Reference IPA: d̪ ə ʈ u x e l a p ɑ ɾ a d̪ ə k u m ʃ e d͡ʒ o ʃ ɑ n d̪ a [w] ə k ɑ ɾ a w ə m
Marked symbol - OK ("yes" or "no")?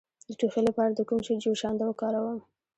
yes